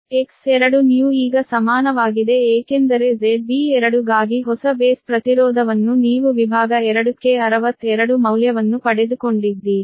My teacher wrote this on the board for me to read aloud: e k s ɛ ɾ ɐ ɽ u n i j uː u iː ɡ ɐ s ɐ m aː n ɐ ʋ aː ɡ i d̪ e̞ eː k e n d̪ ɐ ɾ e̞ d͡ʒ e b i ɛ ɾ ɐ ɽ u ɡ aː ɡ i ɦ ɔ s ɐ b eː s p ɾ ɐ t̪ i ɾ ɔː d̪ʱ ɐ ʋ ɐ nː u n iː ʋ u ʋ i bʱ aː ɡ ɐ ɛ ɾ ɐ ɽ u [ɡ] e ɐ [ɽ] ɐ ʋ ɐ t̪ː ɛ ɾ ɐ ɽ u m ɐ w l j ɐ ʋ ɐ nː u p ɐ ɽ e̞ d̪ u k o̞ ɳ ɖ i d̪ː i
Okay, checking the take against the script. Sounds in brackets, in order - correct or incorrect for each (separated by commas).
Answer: incorrect, incorrect